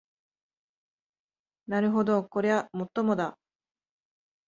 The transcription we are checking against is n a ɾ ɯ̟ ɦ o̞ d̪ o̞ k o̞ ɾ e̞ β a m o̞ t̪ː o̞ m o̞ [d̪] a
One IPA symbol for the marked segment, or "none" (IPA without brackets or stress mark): d̪